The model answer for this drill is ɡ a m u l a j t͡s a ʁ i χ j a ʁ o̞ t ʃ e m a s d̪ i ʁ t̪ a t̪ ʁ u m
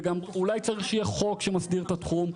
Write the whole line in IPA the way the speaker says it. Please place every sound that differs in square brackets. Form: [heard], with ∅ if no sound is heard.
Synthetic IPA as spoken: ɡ a m u l a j t͡s a ʁ i χ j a [χ] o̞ [k] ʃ e m a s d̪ i ʁ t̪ a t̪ [χ] u m